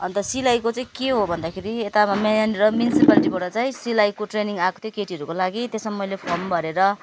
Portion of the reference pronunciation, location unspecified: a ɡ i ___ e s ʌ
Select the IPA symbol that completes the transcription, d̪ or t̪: t̪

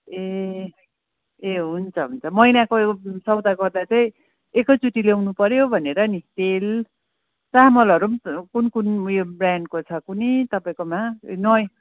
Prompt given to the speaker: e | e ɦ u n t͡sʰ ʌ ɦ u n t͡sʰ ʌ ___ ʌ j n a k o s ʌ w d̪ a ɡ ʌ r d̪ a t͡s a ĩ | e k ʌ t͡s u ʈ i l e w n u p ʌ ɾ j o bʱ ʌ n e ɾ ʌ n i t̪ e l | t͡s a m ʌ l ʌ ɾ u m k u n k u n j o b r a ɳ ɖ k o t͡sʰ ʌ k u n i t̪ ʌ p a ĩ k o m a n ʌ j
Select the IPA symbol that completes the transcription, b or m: m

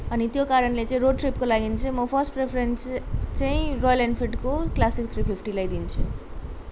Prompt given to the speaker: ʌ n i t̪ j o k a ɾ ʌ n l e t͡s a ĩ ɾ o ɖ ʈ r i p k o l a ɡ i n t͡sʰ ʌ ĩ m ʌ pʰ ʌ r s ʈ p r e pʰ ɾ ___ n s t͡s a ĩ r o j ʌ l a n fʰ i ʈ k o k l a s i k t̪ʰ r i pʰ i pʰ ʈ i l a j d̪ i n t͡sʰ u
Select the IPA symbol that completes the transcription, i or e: e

